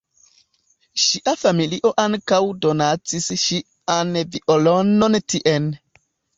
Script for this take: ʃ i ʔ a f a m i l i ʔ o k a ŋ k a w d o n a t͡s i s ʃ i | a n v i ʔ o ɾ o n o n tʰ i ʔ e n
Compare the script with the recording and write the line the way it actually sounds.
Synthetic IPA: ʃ i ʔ a f a m i l i ʔ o ʔ a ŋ k a w d o n a t͡s i s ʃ i | a n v i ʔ o l o n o n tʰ i ʔ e n